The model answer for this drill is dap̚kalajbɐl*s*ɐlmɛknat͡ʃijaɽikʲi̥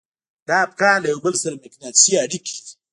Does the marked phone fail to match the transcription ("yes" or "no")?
no